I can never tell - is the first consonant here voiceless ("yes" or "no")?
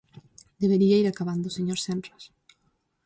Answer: no